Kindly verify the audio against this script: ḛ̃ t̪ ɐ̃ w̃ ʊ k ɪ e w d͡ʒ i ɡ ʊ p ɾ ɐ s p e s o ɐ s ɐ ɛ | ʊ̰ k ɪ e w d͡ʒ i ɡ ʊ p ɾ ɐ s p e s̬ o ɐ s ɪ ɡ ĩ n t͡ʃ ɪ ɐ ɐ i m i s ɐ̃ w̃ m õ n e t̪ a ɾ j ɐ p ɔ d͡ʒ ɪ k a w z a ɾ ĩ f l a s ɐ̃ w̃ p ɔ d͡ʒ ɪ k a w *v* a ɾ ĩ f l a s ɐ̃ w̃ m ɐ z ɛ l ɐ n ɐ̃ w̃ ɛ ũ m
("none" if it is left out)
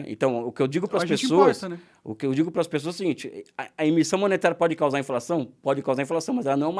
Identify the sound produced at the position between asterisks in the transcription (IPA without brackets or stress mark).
z